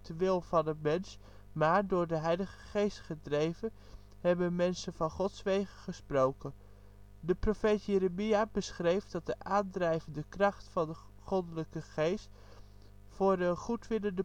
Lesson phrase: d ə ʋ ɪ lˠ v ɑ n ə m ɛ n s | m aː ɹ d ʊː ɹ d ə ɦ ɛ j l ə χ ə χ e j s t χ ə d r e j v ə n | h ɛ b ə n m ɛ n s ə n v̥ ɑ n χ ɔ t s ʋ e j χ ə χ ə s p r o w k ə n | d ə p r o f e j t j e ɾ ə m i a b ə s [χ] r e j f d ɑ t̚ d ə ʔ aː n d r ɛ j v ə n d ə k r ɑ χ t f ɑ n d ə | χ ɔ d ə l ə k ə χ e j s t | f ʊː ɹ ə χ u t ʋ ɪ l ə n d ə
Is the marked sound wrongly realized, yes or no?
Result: no